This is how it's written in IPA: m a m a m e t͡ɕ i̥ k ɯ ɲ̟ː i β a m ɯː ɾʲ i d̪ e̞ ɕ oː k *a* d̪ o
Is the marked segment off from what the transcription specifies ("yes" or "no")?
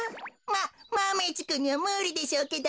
yes